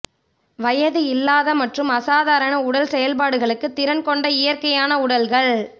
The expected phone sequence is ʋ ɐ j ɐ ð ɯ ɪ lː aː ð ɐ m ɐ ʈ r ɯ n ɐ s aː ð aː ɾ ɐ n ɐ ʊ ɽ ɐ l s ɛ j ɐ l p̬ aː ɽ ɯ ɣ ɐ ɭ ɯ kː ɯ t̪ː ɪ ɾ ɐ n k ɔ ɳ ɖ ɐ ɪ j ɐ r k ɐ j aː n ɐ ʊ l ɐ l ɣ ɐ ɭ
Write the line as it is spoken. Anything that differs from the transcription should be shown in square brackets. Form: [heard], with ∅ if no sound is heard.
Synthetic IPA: ʋ ɐ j ɐ ð ɯ ɪ lː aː ð ɐ m ɐ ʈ r ɯ [m] ɐ s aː ð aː ɾ ɐ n ɐ ʊ ɽ ɐ l s ɛ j ɐ l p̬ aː ɽ ɯ ɣ ɐ ɭ ɯ kː ɯ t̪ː ɪ ɾ ɐ n k ɔ ɳ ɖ ɐ ɪ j ɐ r k ɐ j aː n ɐ ʊ [ɽ] ɐ l ɣ ɐ ɭ